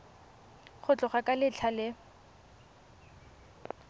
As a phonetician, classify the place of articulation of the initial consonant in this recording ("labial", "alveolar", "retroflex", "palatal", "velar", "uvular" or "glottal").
uvular